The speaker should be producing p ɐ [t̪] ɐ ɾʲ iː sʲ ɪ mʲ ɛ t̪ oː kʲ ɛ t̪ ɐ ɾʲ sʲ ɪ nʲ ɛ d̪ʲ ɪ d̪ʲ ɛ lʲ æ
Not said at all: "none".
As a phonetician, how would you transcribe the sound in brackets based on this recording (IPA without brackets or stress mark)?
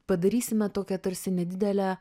d̪